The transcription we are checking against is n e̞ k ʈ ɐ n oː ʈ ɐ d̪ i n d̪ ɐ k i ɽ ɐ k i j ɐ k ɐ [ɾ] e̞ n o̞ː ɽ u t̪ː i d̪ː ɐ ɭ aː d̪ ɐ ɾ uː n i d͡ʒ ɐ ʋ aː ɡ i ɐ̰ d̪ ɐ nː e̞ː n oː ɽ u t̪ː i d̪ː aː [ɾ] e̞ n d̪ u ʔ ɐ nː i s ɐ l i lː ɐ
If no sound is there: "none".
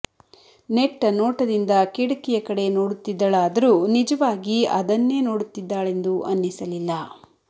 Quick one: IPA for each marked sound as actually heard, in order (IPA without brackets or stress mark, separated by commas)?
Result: ɽ, ɭ